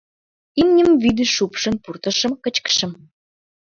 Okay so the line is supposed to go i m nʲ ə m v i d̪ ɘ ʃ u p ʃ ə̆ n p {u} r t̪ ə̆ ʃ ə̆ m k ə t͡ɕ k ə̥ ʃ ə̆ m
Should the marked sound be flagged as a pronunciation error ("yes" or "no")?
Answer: no